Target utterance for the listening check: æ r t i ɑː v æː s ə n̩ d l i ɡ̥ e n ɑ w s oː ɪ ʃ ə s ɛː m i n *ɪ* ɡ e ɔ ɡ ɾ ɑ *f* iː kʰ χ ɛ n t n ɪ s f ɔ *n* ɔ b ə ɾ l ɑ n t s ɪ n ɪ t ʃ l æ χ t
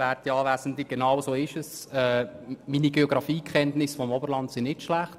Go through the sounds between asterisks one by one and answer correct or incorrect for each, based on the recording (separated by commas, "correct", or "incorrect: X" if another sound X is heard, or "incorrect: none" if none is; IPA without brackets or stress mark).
incorrect: i, correct, incorrect: m